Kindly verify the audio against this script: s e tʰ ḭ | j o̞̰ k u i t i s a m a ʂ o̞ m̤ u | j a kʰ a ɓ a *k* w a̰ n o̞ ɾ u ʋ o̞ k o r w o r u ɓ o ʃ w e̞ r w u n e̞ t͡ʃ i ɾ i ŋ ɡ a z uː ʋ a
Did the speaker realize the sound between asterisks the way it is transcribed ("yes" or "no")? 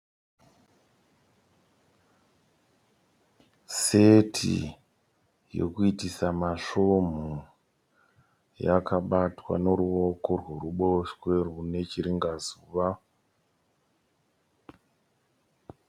no